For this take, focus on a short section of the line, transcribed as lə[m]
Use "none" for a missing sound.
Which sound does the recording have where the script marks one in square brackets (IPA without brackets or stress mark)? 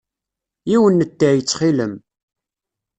m